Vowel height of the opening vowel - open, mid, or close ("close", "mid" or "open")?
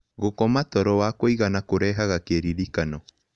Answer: mid